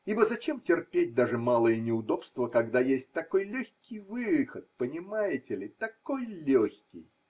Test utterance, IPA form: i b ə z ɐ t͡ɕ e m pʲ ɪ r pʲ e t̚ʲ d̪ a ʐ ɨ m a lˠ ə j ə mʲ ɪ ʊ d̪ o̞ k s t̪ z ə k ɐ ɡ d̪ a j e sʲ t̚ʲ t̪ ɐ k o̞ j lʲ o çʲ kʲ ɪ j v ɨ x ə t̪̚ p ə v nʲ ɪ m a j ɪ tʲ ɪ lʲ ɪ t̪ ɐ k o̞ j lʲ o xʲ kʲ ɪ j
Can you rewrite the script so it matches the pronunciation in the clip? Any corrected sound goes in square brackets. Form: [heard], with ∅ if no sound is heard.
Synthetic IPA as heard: i b ə z ɐ t͡ɕ e m [tʲ] ɪ r pʲ e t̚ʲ d̪ a ʐ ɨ m a lˠ ə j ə [nʲ] ɪ ʊ d̪ o̞ [p] s t̪ [v] ə k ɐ ɡ d̪ a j e sʲ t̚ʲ t̪ ɐ k o̞ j lʲ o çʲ kʲ ɪ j v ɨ x ə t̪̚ p ə [∅] nʲ ɪ m a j ɪ tʲ ɪ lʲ ɪ t̪ ɐ k o̞ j lʲ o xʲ kʲ ɪ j